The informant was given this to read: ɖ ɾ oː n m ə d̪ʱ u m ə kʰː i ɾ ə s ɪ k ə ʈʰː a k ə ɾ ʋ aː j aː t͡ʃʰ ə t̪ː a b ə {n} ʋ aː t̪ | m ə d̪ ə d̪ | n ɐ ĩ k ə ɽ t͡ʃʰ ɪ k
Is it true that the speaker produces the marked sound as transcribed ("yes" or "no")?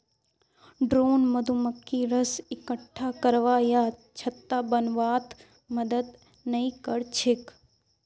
yes